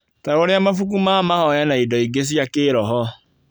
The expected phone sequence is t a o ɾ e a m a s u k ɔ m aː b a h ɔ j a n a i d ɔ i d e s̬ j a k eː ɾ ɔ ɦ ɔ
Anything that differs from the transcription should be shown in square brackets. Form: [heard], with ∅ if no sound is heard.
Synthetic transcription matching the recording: t a o ɾ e a m a [f] u k [u] m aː [m] a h ɔ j a n a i d ɔ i [ɡ] e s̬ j a k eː ɾ ɔ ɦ ɔ